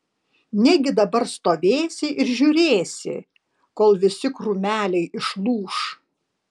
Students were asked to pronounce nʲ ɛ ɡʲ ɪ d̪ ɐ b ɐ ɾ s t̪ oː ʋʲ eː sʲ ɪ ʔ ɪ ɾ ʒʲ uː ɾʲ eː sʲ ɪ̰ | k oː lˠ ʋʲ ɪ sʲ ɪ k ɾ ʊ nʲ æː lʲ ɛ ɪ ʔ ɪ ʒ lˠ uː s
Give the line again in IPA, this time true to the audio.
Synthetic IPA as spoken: nʲ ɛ ɡʲ ɪ d̪ ɐ b ɐ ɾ s t̪ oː ʋʲ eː sʲ ɪ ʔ ɪ ɾ ʒʲ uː ɾʲ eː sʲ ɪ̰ | k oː lˠ ʋʲ ɪ sʲ ɪ k ɾ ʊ mʲ æː lʲ ɛ ɪ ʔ ɪ ʃ lˠ uː ʃ